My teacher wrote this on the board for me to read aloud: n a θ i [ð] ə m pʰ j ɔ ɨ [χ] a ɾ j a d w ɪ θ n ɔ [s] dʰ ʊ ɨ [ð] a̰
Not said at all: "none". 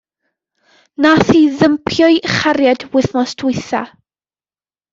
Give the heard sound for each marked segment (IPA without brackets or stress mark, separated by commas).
ð, χ, s, θ